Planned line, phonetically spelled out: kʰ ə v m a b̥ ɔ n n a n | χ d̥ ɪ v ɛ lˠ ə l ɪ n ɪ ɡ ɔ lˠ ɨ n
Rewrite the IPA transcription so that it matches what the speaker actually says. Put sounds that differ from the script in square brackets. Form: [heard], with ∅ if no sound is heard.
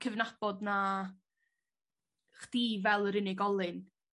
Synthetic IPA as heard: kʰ ə v [n] a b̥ ɔ [d] n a [∅] | χ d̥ [i] v ɛ lˠ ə [ɾ] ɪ n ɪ ɡ ɔ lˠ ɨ n